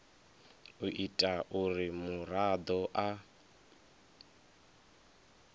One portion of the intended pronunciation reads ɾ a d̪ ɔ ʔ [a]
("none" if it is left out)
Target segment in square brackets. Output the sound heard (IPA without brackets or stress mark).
a